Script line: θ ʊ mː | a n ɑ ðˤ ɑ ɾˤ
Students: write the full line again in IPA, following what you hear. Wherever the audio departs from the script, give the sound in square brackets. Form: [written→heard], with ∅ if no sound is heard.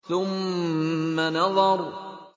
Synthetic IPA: θ ʊ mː | a n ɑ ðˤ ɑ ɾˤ